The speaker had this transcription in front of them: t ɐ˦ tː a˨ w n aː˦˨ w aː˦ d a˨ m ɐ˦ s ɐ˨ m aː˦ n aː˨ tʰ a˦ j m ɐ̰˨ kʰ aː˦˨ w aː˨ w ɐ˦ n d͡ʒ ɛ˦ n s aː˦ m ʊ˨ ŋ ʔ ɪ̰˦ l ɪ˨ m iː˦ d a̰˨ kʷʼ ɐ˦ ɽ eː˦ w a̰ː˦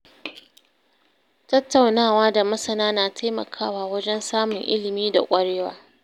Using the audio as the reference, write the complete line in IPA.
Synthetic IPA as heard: t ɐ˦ tː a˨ w n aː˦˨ w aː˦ d a˨ m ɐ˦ s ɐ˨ n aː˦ n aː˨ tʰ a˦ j m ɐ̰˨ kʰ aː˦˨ w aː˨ w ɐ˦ d͡ʒ ɛ˦ n s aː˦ m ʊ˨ ŋ ʔ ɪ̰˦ l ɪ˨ m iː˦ d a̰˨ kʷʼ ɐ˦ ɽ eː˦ w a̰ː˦